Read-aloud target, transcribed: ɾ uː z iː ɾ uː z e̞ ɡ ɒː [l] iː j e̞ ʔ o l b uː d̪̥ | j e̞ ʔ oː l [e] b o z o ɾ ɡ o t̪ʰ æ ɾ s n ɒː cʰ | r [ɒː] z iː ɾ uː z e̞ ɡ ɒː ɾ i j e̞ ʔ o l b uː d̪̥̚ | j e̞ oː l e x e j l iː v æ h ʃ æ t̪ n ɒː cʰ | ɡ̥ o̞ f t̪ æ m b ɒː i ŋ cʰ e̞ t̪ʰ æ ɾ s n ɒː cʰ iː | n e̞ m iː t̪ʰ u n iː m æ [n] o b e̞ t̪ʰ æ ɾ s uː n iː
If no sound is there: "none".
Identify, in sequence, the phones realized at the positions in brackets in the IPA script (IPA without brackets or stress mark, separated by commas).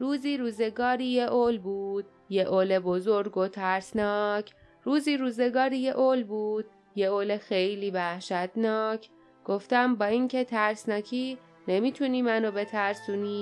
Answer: ɾ, e, uː, n